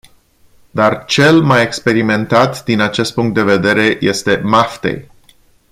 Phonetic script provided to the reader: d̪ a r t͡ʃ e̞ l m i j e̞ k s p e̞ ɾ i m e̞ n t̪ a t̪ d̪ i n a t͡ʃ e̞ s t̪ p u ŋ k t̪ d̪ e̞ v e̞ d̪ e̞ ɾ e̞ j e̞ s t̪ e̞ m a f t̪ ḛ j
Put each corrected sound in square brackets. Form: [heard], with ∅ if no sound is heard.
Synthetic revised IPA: d̪ a r t͡ʃ e̞ l m [a] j e̞ k s p e̞ ɾ i m e̞ n t̪ a t̪ d̪ i n a t͡ʃ e̞ s t̪ p u ŋ k t̪ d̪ e̞ v e̞ d̪ e̞ ɾ e̞ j e̞ s t̪ e̞ m a f t̪ ḛ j

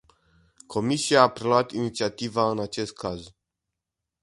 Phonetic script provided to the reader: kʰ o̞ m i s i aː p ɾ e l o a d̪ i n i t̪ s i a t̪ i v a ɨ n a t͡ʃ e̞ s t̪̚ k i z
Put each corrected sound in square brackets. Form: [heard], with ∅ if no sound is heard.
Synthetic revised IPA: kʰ o̞ m i s i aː p ɾ e l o a [t̪] i n i t̪ s i a t̪ i v a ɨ n a t͡ʃ e̞ s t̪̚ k [a] z

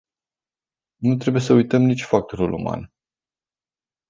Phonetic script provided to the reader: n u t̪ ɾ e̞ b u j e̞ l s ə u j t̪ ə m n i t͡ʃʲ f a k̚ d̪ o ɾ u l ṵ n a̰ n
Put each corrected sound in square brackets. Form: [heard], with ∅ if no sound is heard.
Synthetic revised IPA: n u t̪ ɾ e̞ b u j e̞ [∅] s ə u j t̪ ə m n i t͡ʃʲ f a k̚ [t̪] o ɾ u l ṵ [m] a̰ n

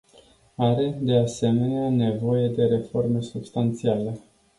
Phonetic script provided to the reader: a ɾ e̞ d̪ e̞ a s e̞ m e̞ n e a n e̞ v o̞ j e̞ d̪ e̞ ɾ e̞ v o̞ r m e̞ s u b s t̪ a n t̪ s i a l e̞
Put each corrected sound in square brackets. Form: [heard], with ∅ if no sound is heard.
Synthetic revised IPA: a ɾ e̞ d̪ e̞ a s e̞ m e̞ n e a n e̞ v o̞ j e̞ d̪ e̞ ɾ e̞ [f] o̞ r m e̞ s u b s t̪ a n t̪ s i a l e̞

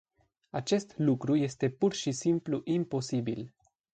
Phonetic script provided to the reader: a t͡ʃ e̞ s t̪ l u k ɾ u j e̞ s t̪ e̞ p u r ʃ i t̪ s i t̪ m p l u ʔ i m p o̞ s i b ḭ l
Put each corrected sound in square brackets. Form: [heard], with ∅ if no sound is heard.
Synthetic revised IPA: a t͡ʃ e̞ s t̪ l u k ɾ u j e̞ s t̪ e̞ p u r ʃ i [∅] s i [∅] m p l u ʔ i m p o̞ s i b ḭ l

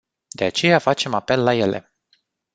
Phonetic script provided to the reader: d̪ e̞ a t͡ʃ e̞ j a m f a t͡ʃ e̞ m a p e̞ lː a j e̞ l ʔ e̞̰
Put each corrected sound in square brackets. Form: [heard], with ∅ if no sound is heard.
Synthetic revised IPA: d̪ e̞ a t͡ʃ e̞ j a [∅] f a t͡ʃ e̞ m a p e̞ lː a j e̞ l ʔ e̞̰

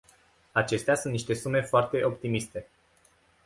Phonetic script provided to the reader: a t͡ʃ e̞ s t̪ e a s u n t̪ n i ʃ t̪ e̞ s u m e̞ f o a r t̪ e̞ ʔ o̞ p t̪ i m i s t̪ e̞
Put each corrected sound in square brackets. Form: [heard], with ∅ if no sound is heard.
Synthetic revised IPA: a t͡ʃ e̞ s t̪ e a s u n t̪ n i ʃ t̪ e̞ s u m e̞ f o a r t̪ e̞ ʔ o̞ p t̪ i m i s t̪ e̞

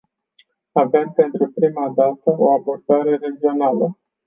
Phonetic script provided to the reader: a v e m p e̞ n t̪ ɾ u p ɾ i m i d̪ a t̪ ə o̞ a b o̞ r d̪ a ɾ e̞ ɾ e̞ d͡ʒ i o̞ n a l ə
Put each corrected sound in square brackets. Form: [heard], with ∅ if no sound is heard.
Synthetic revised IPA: a v e m p e̞ n t̪ ɾ u p ɾ i m [a] d̪ a t̪ ə o̞ a b o̞ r d̪ a ɾ e̞ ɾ e̞ d͡ʒ i o̞ n a l ə

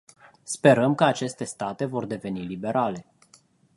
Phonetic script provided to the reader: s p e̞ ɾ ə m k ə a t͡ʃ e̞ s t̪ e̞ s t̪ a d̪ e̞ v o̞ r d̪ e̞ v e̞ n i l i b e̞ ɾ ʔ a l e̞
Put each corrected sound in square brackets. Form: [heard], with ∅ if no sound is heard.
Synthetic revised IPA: s p e̞ ɾ ə m k ə a t͡ʃ e̞ s t̪ e̞ s t̪ a [t̪] e̞ v o̞ r d̪ e̞ v e̞ n i l i b e̞ ɾ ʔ a l e̞

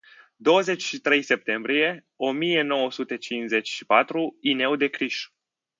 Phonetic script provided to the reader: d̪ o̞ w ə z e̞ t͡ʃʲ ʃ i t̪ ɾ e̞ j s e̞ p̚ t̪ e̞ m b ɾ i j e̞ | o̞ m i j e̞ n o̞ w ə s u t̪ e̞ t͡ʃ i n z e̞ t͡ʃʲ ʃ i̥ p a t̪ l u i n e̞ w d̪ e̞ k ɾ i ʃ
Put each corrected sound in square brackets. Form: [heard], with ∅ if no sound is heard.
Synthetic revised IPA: d̪ o̞ w ə z e̞ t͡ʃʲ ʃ i t̪ ɾ e̞ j s e̞ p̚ t̪ e̞ m b ɾ i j e̞ | o̞ m i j e̞ n o̞ w ə s u t̪ e̞ t͡ʃ i n z e̞ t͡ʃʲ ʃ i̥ p a t̪ [ɾ] u i n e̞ w d̪ e̞ k ɾ i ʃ

